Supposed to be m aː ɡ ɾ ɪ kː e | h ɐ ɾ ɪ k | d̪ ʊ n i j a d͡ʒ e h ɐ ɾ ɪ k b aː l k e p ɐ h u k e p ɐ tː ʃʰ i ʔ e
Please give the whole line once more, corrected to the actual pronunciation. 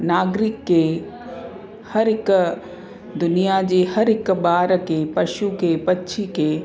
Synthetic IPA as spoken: n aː ɡ ɾ ɪ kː e | h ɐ ɾ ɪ k | d̪ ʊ n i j a d͡ʒ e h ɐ ɾ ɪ k b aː ɾ k e p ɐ ʃ u k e p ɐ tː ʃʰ i k e